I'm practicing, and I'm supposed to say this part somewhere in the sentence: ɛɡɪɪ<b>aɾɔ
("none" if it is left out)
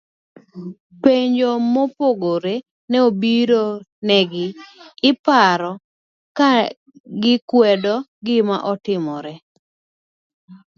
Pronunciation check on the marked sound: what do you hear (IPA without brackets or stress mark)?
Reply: p